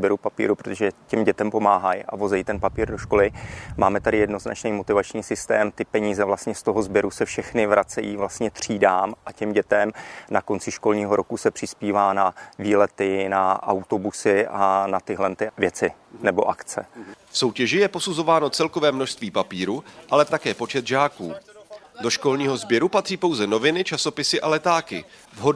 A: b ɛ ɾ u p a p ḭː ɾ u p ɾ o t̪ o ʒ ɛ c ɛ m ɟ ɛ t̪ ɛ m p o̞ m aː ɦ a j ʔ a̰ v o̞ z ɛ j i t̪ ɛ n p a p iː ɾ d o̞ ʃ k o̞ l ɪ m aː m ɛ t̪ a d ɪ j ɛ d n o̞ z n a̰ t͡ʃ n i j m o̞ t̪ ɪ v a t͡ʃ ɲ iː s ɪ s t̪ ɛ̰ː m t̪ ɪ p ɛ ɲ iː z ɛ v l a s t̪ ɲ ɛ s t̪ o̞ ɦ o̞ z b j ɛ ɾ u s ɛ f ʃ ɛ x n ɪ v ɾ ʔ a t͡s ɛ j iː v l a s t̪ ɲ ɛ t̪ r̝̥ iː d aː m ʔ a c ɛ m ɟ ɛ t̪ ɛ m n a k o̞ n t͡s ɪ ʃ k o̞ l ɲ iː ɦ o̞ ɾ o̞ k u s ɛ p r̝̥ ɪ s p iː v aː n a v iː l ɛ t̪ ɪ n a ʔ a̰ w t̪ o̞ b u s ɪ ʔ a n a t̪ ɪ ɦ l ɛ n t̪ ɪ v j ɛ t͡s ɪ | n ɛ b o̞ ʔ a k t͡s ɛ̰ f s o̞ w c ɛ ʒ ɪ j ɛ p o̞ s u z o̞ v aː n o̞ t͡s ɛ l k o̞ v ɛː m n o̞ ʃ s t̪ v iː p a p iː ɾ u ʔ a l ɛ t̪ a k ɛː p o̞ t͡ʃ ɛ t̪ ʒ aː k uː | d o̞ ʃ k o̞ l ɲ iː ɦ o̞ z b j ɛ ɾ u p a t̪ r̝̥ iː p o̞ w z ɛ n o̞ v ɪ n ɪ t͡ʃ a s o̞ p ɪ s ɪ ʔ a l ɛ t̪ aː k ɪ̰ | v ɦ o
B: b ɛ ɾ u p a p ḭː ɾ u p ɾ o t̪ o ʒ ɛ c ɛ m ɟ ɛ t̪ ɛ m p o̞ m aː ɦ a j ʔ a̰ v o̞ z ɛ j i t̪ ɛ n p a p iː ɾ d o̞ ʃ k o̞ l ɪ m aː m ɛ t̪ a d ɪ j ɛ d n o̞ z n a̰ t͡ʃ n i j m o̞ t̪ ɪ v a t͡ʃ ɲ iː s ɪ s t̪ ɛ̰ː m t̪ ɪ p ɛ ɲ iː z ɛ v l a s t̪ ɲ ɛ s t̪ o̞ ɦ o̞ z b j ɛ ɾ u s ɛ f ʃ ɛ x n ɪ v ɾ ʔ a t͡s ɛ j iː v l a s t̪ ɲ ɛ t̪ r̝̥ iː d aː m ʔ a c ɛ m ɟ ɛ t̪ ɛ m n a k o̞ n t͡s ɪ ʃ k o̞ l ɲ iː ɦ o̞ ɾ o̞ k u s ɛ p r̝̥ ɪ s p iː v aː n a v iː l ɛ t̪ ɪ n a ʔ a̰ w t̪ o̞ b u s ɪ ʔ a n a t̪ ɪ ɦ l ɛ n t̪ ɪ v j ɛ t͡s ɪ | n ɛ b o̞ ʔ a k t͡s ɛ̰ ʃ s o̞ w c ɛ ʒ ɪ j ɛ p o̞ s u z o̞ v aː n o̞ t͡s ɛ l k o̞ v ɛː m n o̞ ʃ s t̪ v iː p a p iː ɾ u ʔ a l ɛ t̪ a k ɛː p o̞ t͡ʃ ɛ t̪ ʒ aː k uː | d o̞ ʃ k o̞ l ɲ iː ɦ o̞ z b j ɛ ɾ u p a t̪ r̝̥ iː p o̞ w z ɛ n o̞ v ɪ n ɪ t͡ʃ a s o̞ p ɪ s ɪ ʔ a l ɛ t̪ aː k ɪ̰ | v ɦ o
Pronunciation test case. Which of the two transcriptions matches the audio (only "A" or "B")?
A